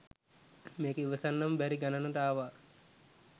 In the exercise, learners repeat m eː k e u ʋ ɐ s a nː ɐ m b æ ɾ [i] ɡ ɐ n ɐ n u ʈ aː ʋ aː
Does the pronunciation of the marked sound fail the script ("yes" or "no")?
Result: no